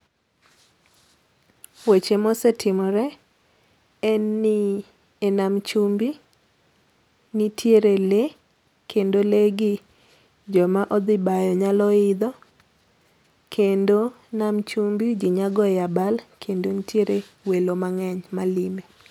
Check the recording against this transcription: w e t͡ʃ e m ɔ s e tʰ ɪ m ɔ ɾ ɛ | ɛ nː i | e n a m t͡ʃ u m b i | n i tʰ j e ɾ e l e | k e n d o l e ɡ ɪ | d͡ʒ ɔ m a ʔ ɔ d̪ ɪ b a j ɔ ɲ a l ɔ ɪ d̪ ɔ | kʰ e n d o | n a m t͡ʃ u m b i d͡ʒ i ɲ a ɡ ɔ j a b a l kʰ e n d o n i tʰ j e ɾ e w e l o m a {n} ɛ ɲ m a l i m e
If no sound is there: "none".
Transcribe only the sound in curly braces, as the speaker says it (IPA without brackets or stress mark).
ŋ